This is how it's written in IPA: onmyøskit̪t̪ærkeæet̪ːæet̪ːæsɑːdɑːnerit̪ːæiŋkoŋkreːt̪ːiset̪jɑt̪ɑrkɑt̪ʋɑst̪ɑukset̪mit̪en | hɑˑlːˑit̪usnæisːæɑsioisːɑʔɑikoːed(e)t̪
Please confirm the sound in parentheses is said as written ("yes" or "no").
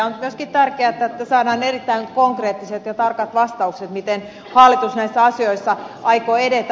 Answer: yes